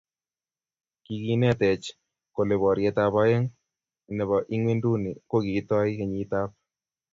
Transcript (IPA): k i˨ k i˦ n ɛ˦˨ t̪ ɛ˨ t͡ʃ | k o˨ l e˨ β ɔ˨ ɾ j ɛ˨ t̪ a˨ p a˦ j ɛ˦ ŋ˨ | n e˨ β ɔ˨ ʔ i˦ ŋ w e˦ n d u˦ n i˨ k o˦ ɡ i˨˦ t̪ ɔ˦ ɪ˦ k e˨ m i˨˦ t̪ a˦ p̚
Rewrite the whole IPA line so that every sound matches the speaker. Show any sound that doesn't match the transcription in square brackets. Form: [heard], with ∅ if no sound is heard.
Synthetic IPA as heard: k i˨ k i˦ n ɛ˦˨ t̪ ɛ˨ t͡ʃ | k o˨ l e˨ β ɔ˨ ɾ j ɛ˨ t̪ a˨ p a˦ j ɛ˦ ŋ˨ | n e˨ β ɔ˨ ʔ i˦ ŋ w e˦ n d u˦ n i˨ k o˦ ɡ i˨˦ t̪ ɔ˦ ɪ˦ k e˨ [ɲ] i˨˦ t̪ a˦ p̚